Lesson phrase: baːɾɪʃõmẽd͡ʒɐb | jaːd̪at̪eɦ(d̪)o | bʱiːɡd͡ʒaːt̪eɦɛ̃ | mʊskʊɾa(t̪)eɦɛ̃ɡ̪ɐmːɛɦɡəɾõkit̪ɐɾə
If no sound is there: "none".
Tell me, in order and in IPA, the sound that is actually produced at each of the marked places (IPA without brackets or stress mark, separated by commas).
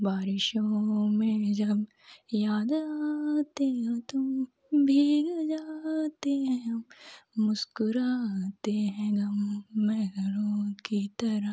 t̪, t̪